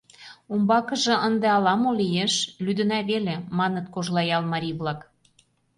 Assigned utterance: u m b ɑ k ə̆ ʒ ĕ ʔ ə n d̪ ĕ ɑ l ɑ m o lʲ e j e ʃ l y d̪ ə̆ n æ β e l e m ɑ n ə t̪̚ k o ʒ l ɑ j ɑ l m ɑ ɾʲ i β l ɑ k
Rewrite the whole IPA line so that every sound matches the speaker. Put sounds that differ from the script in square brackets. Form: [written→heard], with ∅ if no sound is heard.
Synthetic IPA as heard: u m b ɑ k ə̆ ʒ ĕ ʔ ə n d̪ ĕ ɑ l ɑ m o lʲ [e→i] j e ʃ l y d̪ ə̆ n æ β e l e m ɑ n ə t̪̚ k o ʒ l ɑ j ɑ l m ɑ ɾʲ i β l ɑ k